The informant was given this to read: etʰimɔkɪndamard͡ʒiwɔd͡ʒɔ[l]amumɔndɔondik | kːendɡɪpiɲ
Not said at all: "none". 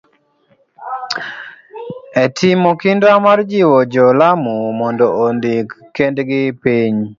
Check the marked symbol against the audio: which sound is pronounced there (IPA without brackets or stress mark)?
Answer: l